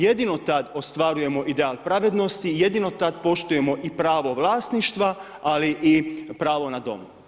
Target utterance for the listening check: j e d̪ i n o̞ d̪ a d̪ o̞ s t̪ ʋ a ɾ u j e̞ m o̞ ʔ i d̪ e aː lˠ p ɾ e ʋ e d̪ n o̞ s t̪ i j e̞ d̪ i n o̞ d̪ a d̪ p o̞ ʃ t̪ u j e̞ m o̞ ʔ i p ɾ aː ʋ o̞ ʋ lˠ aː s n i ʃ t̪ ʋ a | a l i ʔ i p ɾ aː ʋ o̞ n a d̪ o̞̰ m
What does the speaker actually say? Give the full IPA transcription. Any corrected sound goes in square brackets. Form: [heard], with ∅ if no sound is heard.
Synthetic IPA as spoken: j e d̪ i n o̞ [t̪] a d̪ o̞ s t̪ ʋ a ɾ u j e̞ m o̞ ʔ i d̪ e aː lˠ p ɾ [a] ʋ e d̪ n o̞ s t̪ i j e̞ d̪ i n o̞ [t̪] a d̪ p o̞ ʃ t̪ u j e̞ m o̞ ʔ i p ɾ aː ʋ o̞ ʋ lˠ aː s n i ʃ t̪ ʋ a | a l i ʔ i p ɾ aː ʋ o̞ n a d̪ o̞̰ m